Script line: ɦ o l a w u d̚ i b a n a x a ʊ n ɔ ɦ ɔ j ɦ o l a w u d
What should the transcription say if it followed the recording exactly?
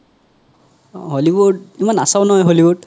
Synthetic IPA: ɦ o l i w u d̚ i m a n a s a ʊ n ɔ ɦ ɔ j ɦ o l i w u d